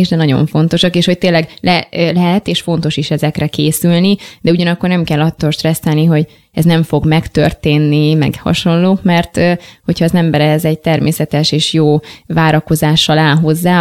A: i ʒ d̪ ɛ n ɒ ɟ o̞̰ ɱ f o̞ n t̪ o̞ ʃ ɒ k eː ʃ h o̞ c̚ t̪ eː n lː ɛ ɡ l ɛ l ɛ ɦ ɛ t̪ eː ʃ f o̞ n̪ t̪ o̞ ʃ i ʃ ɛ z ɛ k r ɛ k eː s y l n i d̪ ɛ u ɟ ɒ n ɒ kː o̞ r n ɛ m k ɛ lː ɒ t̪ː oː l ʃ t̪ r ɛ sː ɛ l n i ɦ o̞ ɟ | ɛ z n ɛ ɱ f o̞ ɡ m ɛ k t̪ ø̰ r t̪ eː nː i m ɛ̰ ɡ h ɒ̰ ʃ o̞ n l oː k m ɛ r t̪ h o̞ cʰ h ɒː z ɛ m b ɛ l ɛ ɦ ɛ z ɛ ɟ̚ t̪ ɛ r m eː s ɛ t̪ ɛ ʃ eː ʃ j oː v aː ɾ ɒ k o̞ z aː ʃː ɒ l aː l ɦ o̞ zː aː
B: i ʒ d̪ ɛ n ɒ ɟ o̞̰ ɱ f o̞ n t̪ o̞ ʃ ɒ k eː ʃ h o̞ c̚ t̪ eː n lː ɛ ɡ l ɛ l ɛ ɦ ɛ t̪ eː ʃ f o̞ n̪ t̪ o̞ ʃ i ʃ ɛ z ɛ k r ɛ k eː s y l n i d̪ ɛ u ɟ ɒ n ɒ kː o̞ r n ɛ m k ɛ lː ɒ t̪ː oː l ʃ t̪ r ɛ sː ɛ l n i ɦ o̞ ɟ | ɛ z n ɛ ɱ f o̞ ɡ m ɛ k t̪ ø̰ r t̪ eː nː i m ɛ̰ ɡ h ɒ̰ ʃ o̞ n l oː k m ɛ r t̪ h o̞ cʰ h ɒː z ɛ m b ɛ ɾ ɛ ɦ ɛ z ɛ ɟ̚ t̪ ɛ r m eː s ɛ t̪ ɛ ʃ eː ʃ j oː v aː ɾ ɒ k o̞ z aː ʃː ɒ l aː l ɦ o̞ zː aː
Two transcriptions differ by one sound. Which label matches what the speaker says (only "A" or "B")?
B